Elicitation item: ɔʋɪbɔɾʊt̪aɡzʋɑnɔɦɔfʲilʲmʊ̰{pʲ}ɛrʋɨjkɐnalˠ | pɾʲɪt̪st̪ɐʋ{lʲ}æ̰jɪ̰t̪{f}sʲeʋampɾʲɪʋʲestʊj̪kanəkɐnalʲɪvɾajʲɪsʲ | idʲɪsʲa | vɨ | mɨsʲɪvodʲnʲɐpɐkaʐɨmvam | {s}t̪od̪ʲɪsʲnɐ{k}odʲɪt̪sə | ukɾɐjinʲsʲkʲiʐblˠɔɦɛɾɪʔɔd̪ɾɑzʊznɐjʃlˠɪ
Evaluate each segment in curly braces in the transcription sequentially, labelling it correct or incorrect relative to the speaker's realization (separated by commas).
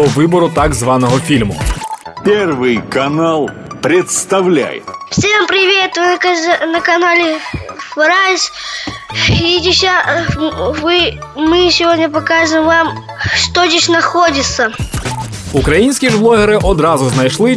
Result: correct, correct, correct, incorrect, incorrect